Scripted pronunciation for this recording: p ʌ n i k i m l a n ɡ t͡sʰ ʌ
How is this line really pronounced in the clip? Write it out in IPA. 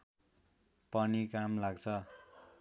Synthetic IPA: p ʌ n i k a m l a ɡ t͡sʰ ʌ